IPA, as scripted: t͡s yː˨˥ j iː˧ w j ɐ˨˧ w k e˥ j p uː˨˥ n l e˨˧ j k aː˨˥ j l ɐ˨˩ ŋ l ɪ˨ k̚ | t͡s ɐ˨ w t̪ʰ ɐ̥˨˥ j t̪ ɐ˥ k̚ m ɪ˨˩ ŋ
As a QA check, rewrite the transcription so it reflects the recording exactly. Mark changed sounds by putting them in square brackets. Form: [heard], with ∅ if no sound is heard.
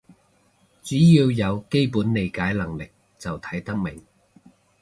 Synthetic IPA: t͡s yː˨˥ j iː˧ w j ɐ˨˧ w k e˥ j p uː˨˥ n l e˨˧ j k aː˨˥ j l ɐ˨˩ ŋ l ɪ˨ k̚ | t͡s ɐ˨ w t̪ʰ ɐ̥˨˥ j t̪ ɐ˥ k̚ m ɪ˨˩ ŋ